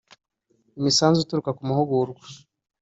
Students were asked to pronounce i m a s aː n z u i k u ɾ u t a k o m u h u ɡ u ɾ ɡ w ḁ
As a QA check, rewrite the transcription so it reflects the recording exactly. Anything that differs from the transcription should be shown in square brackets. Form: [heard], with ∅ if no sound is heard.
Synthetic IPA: i m [i] s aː n z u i [t] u ɾ u [k] a k [u] m u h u ɡ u ɾ ɡ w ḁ